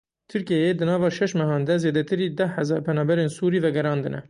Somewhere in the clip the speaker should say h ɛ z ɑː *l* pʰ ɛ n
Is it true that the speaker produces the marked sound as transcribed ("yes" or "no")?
no